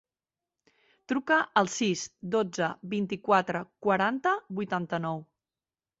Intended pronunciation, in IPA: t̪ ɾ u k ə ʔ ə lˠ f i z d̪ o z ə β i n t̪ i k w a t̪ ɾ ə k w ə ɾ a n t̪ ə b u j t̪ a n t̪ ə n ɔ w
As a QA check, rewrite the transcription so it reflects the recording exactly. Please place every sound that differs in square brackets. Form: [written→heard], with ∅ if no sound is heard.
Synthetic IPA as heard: t̪ ɾ u k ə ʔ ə lˠ [f→s] i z d̪ o [z→d͡z] ə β i n t̪ i k w a t̪ ɾ ə k w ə ɾ a n t̪ ə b u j t̪ a n t̪ ə n ɔ w

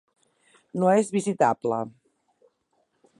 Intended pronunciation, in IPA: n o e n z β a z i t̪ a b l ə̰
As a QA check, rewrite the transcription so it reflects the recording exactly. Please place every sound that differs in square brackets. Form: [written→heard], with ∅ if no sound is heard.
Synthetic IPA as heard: n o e [n→∅] z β [a→i] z i t̪ a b l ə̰

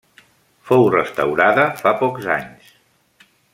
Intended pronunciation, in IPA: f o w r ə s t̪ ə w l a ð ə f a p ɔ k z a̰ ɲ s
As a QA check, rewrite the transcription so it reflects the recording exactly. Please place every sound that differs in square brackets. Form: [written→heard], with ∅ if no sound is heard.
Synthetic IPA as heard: f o w r ə s t̪ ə w [l→ɾ] a ð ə f a p ɔ k z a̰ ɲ s

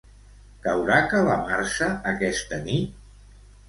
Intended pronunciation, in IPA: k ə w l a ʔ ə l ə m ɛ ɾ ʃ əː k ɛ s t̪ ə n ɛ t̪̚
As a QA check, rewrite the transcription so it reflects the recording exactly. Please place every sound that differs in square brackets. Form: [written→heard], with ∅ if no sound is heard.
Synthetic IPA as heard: k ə w [l→ɾ] a [ʔ→k] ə l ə m [ɛ→a] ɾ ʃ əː k ɛ s t̪ ə n [ɛ→i] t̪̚

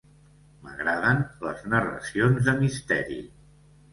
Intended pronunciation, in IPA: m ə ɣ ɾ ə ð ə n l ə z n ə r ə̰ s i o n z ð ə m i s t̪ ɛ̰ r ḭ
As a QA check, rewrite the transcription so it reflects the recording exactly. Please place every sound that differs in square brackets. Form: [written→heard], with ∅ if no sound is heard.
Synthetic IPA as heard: m ə ɣ ɾ [ə→a] ð ə n l ə z n ə r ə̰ s i o n z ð ə m i s t̪ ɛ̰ [r→ɾ] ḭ

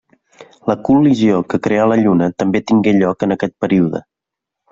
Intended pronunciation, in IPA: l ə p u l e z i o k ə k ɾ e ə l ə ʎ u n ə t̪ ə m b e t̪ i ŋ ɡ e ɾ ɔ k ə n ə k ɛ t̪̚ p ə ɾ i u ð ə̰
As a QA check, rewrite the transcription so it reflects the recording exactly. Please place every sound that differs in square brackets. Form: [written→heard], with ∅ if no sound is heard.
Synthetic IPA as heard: l ə [p→k] u l [e→i] z i o k ə k ɾ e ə l ə ʎ u n ə t̪ ə m b e t̪ i ŋ ɡ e [ɾ→ʎ] ɔ k ə n ə k ɛ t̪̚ p ə ɾ i u ð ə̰

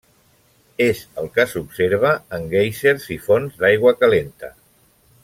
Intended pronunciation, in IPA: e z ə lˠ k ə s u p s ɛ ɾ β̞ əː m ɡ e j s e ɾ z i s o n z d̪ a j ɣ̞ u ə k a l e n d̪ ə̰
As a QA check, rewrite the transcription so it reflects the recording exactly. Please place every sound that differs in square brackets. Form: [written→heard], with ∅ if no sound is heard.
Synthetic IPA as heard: e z ə lˠ k ə s u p s [ɛ→e] ɾ β̞ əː [m→ŋ] ɡ e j s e ɾ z i [s→f] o n z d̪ a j ɣ̞ [u→w] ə k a l e n [d̪→t̪] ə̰

